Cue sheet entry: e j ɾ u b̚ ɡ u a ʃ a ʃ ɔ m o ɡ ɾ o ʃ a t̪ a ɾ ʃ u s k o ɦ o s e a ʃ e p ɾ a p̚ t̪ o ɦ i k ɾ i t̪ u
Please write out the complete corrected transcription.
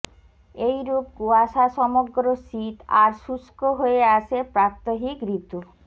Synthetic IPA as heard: e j ɾ u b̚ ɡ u a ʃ a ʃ ɔ m o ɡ ɾ o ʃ i t̪ a ɾ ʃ u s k o ɦ o e a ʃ e p ɾ a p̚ t̪ o ɦ i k ɾ i t̪ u